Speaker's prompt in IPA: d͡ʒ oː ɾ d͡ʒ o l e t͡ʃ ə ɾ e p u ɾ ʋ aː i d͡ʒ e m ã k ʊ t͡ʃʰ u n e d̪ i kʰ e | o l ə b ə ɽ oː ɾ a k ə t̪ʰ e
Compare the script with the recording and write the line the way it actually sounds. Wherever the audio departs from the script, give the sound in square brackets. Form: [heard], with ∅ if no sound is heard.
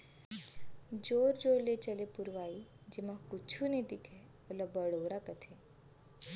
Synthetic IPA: d͡ʒ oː ɾ d͡ʒ o l e t͡ʃ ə [l] e p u ɾ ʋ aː i d͡ʒ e m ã k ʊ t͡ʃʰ u n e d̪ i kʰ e | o l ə b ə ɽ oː ɾ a k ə t̪ʰ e